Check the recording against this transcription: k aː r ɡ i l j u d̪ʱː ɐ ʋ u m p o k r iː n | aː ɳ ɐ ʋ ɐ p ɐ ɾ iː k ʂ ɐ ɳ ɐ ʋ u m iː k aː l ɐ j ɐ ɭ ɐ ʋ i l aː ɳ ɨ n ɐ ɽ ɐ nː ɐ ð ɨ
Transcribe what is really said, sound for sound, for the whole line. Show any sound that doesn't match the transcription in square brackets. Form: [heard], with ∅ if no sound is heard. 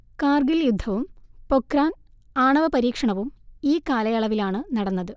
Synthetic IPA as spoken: k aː r ɡ i l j u d̪ʱː ɐ ʋ u m p o k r [aː] n | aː ɳ ɐ ʋ ɐ p ɐ ɾ iː k ʂ ɐ ɳ ɐ ʋ u m iː k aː l ɐ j ɐ ɭ ɐ ʋ i l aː ɳ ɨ n ɐ ɽ ɐ nː ɐ ð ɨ